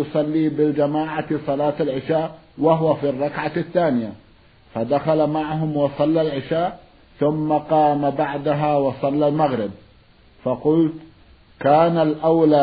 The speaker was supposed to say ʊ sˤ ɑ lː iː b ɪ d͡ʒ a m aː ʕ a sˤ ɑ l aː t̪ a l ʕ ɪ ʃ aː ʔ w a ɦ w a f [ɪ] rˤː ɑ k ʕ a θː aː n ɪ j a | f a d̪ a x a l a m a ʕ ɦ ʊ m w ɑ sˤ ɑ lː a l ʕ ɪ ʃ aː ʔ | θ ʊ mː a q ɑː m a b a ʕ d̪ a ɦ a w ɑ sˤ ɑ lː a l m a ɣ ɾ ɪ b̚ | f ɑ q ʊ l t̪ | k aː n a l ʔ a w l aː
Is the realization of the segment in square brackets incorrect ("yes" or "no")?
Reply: yes